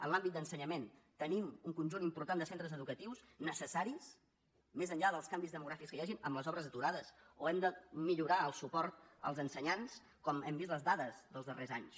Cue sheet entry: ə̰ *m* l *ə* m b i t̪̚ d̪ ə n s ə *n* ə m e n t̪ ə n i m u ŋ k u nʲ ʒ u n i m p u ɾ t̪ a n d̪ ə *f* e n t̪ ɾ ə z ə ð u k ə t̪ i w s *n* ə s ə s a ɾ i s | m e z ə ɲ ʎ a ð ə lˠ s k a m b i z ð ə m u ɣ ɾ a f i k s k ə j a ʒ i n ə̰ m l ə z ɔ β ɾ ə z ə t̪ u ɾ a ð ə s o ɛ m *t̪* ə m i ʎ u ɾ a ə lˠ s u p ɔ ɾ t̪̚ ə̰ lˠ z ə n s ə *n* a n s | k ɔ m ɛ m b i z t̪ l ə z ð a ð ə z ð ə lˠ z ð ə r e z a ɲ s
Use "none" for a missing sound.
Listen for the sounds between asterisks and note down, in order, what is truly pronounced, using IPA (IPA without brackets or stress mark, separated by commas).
n, a, ɲ, s, n, d̪, ɲ